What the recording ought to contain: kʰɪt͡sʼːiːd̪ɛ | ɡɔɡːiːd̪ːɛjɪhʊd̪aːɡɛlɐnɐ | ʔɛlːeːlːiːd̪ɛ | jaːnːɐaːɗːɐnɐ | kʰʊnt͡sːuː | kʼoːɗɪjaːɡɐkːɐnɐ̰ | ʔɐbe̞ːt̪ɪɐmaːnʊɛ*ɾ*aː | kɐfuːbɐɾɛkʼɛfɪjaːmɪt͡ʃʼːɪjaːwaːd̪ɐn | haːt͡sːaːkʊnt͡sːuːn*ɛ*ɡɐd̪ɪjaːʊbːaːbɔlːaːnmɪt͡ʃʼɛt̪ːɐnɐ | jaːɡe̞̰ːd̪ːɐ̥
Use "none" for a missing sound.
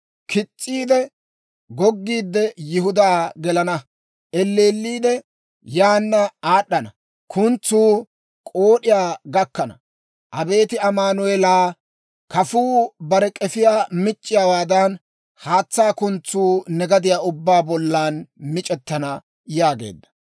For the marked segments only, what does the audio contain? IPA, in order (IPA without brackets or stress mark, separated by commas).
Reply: l, ɛ